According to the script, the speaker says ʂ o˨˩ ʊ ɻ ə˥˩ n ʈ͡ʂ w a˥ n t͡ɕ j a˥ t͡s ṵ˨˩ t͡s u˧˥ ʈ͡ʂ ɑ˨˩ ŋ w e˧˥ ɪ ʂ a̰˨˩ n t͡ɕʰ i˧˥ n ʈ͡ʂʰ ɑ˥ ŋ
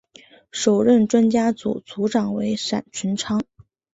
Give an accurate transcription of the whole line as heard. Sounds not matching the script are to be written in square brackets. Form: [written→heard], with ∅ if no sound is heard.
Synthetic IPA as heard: ʂ o˨˩ ʊ ɻ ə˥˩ n ʈ͡ʂ w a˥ n t͡ɕ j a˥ t͡s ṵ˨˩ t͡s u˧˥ ʈ͡ʂ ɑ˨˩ ŋ w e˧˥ ɪ ʂ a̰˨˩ n t͡ɕʰ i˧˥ n ʈ͡ʂʰ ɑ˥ ŋ